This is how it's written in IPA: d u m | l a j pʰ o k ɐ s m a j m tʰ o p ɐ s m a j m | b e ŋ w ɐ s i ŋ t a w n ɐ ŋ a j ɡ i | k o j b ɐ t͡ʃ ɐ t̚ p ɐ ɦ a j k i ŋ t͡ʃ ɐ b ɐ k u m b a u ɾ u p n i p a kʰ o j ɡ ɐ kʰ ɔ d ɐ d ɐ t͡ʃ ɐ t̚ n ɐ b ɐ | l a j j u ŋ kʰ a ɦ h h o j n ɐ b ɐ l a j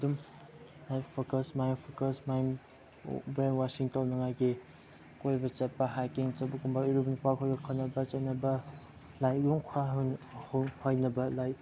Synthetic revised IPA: d u m | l a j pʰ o k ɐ s m a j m pʰ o k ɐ s m a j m | b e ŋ w a s i ŋ t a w n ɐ ŋ a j ɡ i | k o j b ɐ t͡ʃ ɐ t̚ p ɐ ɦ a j k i ŋ t͡ʃ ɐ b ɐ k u m b a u ɾ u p n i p a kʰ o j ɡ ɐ kʰ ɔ n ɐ b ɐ t͡ʃ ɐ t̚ n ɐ b ɐ | l a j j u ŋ kʰ a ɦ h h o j n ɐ b ɐ l a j